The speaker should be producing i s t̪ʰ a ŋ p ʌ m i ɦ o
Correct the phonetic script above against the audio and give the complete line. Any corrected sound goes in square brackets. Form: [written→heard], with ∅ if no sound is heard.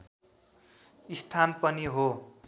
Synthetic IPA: i s t̪ʰ a [ŋ→n] p ʌ [m→n] i ɦ o